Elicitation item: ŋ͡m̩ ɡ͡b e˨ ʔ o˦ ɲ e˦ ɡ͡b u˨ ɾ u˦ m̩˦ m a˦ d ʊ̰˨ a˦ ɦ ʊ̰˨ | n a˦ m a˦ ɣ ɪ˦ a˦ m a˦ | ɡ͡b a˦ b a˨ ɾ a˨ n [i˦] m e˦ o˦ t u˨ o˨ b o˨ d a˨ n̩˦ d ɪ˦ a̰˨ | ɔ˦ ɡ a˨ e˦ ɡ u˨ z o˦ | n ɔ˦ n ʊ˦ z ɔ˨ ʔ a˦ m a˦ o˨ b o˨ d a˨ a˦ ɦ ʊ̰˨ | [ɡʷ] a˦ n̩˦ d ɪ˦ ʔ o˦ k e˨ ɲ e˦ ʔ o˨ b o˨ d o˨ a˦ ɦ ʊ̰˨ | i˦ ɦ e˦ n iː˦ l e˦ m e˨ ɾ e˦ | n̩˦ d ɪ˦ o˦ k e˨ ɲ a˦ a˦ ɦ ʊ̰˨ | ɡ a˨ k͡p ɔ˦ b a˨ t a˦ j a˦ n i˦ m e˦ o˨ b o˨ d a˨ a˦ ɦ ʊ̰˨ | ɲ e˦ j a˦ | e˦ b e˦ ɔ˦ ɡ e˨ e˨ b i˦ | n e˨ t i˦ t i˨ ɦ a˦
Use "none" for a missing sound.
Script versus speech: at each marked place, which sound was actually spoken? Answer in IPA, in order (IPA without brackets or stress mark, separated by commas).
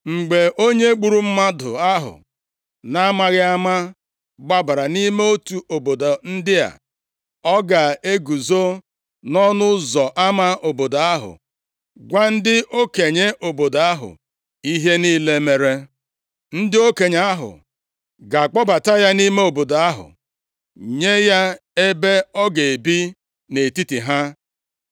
i˦, ɡʷ